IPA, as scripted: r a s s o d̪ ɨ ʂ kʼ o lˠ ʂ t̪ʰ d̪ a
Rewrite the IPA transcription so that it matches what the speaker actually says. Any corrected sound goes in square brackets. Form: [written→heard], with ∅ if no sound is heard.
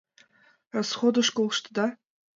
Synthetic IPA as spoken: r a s [s→χ] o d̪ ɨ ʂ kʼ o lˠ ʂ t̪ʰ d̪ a